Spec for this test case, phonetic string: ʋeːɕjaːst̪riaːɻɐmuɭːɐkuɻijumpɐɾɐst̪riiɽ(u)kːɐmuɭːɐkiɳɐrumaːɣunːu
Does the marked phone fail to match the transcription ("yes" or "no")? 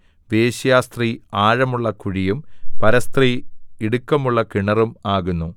no